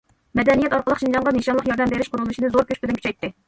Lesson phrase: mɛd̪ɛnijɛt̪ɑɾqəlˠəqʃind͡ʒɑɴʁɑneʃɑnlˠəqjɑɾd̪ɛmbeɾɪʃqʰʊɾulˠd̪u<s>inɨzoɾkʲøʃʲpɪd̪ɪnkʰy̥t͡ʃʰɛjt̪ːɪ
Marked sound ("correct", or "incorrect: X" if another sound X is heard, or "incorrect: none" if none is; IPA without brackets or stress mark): incorrect: ʃ